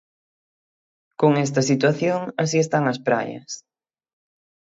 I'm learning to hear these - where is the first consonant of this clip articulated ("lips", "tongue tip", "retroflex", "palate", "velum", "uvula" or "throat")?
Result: velum